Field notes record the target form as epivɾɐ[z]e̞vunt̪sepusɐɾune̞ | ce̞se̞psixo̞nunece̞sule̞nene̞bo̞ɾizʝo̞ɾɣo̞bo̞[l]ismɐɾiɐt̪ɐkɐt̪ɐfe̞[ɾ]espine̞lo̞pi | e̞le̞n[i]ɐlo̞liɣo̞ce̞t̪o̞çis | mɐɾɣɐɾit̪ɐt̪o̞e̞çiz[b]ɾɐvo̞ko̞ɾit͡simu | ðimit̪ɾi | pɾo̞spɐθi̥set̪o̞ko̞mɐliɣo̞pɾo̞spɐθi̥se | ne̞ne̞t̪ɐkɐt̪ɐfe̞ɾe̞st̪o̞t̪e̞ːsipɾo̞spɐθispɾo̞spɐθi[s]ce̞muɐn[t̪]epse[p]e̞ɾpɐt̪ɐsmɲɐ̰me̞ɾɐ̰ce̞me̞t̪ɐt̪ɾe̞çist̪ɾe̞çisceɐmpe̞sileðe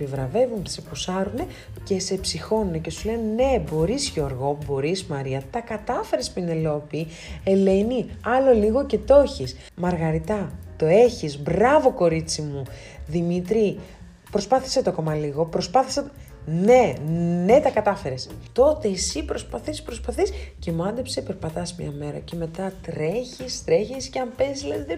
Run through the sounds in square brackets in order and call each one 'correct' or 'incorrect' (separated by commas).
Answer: incorrect, incorrect, correct, correct, correct, correct, incorrect, correct